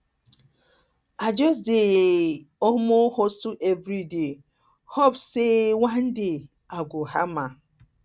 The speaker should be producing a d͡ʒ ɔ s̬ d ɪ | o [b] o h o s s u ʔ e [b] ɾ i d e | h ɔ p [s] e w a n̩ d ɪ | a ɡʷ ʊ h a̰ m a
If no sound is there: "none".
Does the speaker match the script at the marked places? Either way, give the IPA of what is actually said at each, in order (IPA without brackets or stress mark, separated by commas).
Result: m, v, s